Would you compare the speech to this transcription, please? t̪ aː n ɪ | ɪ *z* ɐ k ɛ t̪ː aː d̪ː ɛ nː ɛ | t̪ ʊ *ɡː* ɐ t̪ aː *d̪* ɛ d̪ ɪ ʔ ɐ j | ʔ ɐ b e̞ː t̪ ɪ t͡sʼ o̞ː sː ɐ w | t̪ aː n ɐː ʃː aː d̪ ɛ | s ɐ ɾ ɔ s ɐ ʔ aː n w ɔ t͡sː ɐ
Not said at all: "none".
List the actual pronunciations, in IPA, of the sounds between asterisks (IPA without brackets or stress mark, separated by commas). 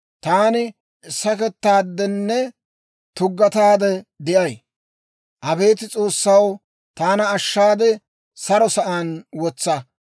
s, ɡː, d̪